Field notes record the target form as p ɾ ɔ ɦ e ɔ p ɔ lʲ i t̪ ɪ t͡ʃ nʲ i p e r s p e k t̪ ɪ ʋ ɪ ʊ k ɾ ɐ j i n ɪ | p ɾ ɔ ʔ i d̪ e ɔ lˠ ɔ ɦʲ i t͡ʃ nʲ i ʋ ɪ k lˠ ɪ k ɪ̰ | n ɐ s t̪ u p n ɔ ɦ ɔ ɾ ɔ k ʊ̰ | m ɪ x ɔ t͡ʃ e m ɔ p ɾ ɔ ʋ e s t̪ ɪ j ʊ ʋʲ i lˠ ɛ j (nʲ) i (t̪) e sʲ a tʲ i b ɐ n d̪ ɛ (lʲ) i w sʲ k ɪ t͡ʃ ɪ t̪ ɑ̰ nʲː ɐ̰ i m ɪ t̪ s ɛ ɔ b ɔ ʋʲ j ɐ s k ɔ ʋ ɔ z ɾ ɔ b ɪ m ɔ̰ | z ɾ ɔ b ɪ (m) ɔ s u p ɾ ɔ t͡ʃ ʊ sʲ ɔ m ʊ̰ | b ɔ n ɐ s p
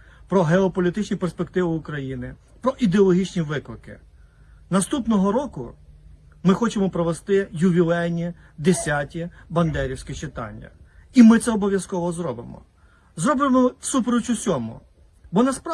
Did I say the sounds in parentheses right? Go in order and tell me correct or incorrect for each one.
correct, incorrect: d̪, incorrect: ɾʲ, correct

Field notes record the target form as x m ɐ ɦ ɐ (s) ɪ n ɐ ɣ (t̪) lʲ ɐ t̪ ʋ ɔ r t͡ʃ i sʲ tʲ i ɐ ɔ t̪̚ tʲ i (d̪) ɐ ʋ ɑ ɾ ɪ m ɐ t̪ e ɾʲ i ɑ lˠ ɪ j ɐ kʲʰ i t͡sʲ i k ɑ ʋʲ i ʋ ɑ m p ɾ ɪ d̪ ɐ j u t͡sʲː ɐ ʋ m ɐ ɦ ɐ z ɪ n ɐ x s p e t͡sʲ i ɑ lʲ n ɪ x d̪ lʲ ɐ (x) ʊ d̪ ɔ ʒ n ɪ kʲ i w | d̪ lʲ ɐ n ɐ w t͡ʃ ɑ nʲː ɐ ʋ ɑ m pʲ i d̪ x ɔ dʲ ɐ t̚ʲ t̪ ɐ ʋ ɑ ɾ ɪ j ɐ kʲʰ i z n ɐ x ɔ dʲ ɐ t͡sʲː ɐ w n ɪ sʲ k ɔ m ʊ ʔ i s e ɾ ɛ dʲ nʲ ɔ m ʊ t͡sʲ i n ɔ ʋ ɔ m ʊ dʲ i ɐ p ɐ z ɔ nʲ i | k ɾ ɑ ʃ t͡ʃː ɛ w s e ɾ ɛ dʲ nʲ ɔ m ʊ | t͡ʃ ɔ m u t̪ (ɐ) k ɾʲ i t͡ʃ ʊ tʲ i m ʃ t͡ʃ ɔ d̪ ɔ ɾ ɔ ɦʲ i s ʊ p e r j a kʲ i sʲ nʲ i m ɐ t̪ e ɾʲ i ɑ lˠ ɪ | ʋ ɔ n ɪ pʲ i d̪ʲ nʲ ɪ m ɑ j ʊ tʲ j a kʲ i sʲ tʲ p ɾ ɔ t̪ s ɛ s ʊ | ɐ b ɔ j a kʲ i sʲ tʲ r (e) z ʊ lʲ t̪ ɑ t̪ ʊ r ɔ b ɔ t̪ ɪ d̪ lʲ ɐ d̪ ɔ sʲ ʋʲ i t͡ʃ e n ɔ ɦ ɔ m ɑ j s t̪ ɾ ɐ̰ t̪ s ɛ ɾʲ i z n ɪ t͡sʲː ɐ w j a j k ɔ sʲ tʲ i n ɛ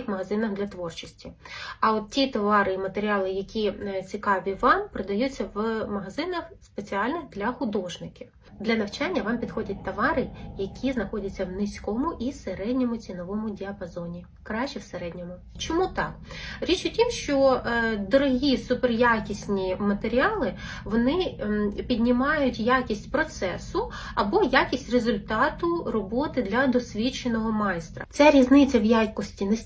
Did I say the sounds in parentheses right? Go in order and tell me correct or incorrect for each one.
incorrect: z, incorrect: d̪, incorrect: t̪, correct, incorrect: ɑ, correct

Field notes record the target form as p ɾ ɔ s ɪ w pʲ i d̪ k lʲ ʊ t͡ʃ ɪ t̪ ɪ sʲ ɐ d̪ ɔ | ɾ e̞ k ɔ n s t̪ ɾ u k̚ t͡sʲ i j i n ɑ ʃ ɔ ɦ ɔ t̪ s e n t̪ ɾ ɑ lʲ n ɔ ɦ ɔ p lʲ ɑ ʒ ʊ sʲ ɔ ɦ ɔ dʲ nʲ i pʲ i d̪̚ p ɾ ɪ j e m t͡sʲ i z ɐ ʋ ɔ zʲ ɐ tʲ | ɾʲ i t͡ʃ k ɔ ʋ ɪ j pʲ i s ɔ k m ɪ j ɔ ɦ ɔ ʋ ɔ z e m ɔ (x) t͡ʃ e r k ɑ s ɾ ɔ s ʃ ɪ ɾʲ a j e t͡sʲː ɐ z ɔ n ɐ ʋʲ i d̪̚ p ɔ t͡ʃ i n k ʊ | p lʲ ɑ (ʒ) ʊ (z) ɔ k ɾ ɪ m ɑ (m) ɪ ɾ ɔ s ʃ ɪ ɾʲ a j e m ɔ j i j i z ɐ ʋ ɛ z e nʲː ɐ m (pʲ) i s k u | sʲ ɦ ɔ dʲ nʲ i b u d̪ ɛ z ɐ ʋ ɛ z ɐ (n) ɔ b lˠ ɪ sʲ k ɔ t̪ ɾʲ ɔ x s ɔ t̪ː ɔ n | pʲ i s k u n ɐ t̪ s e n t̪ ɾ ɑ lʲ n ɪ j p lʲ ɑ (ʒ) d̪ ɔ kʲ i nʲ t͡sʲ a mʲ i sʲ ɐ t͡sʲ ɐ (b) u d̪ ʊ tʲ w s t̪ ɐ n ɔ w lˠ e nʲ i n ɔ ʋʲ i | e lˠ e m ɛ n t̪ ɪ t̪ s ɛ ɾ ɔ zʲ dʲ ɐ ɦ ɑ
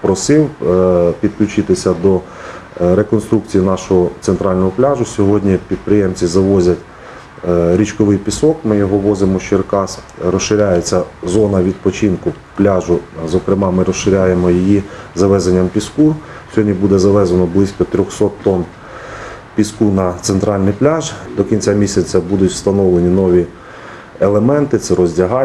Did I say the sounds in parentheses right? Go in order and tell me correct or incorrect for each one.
incorrect: ʃ, correct, correct, correct, correct, correct, correct, correct

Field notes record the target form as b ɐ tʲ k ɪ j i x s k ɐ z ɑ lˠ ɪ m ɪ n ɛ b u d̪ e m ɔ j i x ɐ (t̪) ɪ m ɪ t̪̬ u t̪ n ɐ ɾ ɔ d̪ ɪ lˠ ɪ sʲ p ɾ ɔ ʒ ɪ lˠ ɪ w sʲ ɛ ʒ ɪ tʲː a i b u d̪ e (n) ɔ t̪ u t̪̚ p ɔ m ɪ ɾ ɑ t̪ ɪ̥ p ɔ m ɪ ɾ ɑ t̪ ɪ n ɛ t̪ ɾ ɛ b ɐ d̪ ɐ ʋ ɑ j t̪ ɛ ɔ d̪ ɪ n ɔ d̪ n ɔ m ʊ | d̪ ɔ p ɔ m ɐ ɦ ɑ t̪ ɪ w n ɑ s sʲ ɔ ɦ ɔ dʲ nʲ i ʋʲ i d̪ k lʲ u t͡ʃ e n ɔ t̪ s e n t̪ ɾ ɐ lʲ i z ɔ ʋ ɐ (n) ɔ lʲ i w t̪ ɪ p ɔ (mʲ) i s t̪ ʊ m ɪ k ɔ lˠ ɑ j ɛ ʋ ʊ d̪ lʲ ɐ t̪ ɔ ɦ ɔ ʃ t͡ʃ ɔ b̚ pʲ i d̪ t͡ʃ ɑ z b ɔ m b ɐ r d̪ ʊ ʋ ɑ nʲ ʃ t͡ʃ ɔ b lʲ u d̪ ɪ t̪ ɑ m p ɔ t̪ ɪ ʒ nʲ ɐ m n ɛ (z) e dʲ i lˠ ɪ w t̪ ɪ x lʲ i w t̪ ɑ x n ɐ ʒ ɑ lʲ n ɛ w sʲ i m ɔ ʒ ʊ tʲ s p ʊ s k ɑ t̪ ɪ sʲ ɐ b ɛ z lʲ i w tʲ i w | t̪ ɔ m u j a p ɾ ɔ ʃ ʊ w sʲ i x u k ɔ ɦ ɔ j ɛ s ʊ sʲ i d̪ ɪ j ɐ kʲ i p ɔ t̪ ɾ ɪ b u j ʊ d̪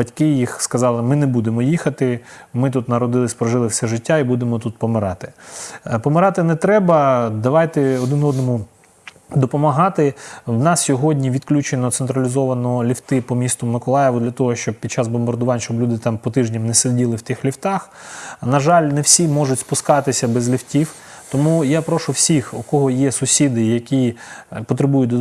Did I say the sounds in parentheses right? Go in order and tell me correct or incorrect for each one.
correct, incorrect: m, correct, correct, incorrect: s

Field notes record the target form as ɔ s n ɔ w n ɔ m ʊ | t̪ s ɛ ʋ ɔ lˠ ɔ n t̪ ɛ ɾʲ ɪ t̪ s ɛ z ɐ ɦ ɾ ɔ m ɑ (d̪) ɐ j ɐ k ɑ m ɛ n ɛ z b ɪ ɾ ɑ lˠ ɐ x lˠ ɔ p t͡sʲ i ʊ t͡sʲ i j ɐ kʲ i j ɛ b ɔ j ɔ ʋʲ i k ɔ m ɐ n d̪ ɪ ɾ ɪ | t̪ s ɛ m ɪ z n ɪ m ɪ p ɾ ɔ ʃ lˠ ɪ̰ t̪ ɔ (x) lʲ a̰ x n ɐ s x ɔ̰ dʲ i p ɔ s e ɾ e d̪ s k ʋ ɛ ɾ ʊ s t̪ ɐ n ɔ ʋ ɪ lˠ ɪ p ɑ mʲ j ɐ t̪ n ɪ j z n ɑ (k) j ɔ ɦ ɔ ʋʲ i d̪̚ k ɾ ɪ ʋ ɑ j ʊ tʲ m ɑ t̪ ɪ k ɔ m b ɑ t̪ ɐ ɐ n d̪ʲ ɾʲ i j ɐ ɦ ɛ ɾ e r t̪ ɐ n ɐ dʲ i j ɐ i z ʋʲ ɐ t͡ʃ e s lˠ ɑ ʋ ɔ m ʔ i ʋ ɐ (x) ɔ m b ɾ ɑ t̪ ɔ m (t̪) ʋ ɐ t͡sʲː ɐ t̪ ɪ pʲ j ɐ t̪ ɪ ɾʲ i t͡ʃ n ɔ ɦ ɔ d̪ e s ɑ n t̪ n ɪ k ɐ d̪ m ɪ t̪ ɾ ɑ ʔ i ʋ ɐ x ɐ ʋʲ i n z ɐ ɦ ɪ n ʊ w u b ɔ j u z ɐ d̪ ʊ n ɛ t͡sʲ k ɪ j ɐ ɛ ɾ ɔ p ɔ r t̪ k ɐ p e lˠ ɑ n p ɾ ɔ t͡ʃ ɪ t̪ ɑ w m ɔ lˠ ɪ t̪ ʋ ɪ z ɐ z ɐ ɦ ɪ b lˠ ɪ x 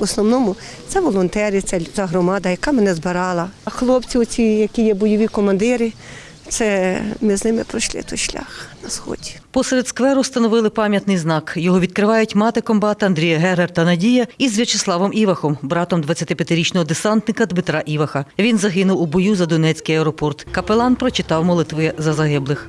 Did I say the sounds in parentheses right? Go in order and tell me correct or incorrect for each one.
correct, incorrect: ʃ, correct, correct, incorrect: d̪

